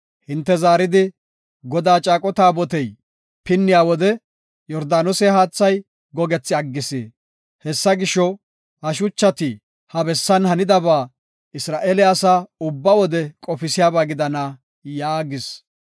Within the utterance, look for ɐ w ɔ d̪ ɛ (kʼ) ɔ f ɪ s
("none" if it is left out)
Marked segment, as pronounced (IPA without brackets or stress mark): kʼ